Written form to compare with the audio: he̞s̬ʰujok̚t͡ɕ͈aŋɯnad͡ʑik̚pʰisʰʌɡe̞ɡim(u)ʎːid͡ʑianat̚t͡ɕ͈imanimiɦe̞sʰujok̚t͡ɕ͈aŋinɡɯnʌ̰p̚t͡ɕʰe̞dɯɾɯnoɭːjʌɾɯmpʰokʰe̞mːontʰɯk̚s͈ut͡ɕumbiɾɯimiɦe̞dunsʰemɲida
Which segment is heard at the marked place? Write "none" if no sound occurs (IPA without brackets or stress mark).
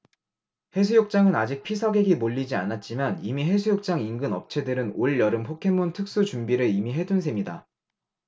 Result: o